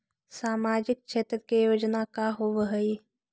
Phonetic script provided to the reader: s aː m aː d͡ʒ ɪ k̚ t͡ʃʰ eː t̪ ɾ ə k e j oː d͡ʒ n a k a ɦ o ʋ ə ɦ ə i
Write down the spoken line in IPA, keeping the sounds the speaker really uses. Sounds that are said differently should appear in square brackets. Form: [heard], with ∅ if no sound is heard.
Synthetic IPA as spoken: s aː m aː d͡ʒ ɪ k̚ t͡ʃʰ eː t̪ ɾ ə k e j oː d͡ʒ n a k a ɦ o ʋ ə ɦ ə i